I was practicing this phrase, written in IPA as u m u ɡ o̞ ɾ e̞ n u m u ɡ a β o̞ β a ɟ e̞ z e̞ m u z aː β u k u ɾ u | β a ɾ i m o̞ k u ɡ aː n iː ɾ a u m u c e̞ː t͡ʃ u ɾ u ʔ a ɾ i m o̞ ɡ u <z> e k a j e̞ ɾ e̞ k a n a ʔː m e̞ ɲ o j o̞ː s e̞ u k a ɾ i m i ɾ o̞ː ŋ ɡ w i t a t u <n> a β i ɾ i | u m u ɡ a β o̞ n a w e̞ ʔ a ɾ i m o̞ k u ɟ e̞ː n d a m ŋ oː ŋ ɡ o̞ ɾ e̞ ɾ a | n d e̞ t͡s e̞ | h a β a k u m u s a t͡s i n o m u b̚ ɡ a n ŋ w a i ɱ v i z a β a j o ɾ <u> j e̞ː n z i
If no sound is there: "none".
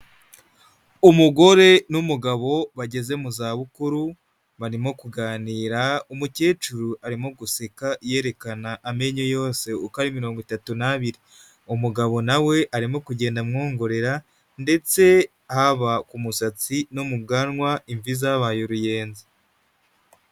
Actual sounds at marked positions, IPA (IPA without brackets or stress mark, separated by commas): s, n, u